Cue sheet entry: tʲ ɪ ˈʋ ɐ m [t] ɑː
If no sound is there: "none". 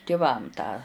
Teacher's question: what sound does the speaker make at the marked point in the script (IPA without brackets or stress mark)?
t